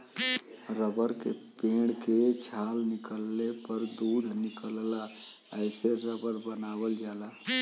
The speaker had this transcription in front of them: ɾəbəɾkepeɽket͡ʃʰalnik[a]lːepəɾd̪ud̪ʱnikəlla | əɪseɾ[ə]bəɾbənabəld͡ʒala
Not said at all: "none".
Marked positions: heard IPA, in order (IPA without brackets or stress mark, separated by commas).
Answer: ə, ə